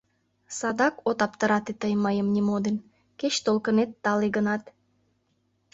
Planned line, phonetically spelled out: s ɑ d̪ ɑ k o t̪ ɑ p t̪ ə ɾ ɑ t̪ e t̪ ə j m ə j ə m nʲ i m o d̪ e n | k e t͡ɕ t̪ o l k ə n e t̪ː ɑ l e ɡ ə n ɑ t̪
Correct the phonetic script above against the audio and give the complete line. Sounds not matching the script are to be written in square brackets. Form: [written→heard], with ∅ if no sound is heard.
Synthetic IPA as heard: s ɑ d̪ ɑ k o t̪ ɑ p t̪ ə ɾ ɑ t̪ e t̪ ə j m ə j ə m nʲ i m o d̪ e n | k e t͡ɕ t̪ o l k ə n e t̪ː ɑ l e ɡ ə n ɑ t̪